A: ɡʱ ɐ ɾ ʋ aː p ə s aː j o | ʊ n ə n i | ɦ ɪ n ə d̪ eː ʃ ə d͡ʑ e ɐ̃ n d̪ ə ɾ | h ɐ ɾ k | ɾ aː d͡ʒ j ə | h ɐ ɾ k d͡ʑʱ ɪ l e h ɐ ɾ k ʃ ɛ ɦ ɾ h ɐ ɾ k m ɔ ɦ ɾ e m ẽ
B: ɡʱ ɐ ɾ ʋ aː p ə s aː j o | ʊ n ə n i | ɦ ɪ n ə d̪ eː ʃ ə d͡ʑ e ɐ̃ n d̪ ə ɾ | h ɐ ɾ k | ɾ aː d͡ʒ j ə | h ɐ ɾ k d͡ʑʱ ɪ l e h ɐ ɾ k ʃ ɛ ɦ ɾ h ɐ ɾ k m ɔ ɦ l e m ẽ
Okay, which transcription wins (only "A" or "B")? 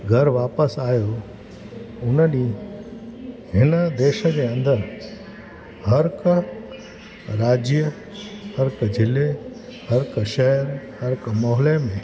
B